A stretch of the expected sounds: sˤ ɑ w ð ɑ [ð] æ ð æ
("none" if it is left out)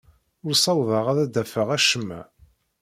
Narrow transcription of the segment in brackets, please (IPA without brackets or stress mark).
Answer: ʁ